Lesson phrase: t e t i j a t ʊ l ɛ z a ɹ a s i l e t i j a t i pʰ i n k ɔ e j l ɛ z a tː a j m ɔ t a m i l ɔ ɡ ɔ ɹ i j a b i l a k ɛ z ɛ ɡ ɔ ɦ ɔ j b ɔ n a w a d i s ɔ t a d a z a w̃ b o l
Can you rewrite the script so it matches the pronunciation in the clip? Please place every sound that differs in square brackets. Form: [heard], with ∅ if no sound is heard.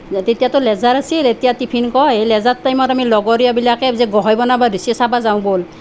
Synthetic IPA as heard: t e t i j a t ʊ l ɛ z a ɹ a s i l e t i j a t i pʰ i n k ɔ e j l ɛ z a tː a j m ɔ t a m i l ɔ ɡ ɔ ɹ i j a b i l a k ɛ z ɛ ɡ ɔ ɦ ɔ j b ɔ n a [b] a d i s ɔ [s] a [b] a z a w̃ b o l